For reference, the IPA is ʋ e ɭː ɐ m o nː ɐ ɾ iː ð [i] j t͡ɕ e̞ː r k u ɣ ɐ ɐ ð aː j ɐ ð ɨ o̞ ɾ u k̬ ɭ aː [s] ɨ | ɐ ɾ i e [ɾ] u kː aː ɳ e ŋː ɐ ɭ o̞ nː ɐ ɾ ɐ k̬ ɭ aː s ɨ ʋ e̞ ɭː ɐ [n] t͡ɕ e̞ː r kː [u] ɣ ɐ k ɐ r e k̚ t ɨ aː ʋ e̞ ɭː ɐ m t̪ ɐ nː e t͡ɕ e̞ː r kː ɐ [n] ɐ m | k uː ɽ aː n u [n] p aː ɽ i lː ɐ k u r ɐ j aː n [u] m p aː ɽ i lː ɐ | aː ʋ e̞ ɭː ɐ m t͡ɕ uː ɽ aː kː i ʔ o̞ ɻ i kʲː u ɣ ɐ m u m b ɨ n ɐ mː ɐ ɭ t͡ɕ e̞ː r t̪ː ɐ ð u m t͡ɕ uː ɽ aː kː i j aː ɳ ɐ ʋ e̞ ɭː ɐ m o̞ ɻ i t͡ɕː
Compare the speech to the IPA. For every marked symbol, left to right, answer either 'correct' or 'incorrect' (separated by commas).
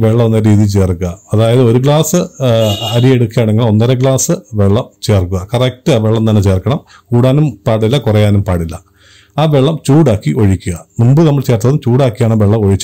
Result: correct, correct, incorrect, incorrect, correct, incorrect, incorrect, correct